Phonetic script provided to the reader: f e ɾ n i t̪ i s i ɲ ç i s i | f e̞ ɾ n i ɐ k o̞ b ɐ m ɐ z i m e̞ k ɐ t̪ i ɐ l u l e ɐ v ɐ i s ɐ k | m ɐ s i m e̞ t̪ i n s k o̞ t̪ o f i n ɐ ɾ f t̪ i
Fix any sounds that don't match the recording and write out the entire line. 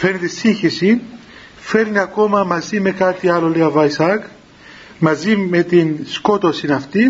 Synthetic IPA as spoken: f e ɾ n i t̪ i s i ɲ ç i s i | f e̞ ɾ n i ɐ k o̞ m ɐ m ɐ z i m e̞ k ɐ t̪ i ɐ l o l e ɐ v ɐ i s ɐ k | m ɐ z i m e̞ t̪ i n s k o̞ t̪ o s i n ɐ f t̪ i